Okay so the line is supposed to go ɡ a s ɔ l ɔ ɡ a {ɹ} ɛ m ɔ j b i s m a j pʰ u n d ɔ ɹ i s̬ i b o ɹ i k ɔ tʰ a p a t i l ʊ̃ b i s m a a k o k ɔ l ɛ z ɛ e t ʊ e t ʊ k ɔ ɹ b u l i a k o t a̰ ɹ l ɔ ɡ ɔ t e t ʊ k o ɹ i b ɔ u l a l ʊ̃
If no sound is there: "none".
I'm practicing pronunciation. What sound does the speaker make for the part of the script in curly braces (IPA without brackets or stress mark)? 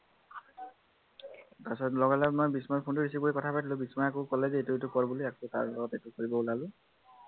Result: l